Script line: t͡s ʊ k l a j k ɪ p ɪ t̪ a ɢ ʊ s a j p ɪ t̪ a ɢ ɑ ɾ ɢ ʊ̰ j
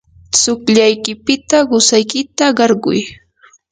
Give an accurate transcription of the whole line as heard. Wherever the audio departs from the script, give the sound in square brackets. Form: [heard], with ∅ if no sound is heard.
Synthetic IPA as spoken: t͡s ʊ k [ʎ] a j k ɪ p ɪ t̪ a ɢ ʊ s a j [k] ɪ t̪ a ɢ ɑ ɾ ɢ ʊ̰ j